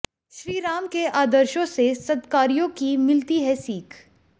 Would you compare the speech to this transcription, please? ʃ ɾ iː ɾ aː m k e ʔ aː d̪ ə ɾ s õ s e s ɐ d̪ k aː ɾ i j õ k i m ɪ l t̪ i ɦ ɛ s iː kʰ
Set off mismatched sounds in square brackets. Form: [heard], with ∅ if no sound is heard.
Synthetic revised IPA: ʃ ɾ iː ɾ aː m k e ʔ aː d̪ ə ɾ [ʃ] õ s e s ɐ d̪ k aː ɾ i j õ k i m ɪ l t̪ i ɦ ɛ s iː kʰ